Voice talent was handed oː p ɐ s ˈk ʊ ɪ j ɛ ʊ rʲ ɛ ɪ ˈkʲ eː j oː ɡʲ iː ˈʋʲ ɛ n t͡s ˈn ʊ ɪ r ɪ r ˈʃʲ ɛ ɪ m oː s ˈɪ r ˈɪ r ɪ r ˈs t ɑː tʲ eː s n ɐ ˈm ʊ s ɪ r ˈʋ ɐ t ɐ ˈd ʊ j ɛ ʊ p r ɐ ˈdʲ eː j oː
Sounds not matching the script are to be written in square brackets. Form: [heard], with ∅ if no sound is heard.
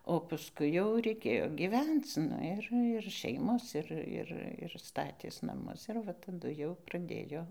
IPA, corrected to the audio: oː p ɐ s ˈk ʊ ɪ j ɛ ʊ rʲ ɛ ɪ ˈkʲ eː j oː ɡʲ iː ˈʋʲ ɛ n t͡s ˈn ʊ ɪ r ɪ r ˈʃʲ ɛ ɪ m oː s ˈɪ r ˈɪ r ɪ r ˈs t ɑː tʲ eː s n ɐ ˈm ʊ s ɪ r ˈʋ ɐ t ɐ ˈd ʊ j ɛ ʊ p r ɐ ˈdʲ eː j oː